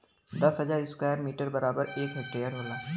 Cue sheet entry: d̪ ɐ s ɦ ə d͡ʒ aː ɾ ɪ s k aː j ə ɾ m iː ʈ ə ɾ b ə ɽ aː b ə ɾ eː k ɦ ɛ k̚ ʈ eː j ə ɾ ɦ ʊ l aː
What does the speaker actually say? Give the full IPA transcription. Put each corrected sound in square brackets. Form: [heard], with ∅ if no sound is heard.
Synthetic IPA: d̪ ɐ s ɦ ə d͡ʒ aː ɾ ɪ s k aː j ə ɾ m iː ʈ ə ɾ b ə [ɾ] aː b ə ɾ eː k ɦ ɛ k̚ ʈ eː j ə ɾ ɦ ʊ l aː